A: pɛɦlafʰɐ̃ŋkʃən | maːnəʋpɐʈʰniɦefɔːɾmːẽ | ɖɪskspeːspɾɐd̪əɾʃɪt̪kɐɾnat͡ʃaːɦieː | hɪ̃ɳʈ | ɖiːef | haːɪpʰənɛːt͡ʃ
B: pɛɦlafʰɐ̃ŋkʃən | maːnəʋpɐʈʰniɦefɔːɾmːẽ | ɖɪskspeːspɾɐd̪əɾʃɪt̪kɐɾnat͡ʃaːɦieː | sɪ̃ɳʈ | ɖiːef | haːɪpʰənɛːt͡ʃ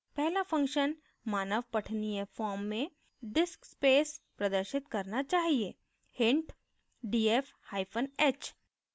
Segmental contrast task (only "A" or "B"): A